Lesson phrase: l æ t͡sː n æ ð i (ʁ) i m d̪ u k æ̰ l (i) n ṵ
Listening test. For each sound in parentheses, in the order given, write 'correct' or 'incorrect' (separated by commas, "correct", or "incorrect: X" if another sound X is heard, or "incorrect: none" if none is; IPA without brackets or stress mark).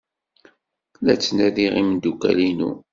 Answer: correct, correct